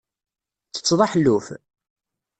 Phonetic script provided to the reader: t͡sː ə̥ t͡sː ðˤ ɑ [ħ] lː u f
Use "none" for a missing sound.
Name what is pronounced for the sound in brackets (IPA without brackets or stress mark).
ħ